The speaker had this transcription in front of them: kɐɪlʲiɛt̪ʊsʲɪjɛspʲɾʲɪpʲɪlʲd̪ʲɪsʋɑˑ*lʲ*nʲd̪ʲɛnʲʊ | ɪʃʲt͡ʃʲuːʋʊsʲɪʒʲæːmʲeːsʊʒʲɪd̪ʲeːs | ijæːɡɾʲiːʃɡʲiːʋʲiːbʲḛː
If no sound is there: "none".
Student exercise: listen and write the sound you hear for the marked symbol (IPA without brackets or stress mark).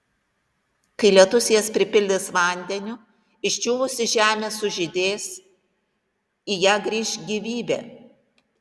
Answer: none